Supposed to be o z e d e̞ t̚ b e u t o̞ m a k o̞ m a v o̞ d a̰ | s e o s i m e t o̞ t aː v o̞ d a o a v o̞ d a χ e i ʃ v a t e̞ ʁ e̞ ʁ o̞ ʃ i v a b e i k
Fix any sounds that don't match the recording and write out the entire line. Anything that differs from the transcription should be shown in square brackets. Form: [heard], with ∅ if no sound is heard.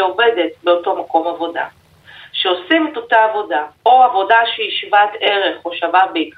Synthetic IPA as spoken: o [v] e d e̞ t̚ b e [o] t o̞ m a k o̞ m a v o̞ d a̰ | [ʃ] e o s i m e t o̞ t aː v o̞ d a o a v o̞ d a [ʃ] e i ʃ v a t e̞ ʁ e̞ [χ] o̞ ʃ [a] v a b e i k